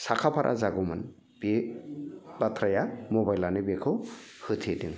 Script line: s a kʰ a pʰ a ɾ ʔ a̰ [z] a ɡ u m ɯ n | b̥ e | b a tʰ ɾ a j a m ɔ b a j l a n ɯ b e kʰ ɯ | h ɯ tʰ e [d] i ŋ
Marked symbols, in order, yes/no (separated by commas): yes, yes